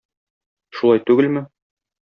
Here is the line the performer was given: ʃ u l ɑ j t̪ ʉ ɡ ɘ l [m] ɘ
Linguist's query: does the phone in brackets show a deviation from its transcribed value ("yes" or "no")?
no